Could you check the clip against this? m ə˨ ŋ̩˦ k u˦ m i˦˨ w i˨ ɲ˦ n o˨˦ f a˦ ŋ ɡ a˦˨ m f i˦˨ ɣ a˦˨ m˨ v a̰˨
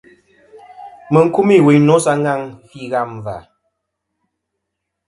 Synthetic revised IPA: m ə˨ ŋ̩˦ k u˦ m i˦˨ w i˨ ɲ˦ n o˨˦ s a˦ ŋ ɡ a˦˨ ŋ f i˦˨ ɣ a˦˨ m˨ v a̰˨